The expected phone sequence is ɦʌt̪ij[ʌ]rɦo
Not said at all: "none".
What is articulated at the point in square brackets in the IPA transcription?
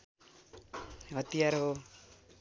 a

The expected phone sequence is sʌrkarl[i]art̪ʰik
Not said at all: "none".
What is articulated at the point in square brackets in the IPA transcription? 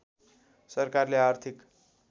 e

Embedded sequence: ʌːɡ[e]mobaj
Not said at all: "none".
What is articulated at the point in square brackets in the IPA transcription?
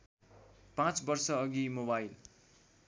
i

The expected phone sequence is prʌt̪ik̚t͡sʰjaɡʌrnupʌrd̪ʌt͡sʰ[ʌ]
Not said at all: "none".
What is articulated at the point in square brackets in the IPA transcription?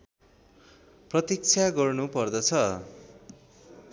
ʌ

